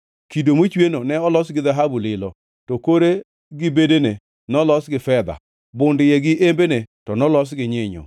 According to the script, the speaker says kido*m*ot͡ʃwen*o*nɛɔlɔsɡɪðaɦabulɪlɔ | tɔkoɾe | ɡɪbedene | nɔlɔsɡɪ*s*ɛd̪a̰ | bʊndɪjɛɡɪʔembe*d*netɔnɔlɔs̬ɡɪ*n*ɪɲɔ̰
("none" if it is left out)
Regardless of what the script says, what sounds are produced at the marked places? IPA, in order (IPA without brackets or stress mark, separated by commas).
m, o, f, none, ɲ